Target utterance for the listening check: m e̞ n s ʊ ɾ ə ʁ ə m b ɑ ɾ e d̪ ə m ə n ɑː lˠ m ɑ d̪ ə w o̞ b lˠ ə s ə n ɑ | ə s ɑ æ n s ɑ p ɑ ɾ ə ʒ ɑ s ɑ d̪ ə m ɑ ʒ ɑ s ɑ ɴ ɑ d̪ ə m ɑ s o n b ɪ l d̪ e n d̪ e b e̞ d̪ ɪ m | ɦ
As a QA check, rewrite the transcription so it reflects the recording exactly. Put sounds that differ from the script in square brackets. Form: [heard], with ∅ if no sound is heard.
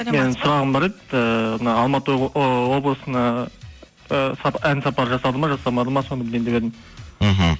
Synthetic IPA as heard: m e̞ n s ʊ ɾ [ɑ] ʁ ə m b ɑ ɾ e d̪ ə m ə n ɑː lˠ m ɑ [t̪] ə w o̞ b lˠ ə s ə n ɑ | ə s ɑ æ n s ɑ p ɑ ɾ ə ʒ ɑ s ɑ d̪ ə m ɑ ʒ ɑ s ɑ [m] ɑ d̪ ə m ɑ s o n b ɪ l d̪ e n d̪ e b e̞ d̪ ɪ m | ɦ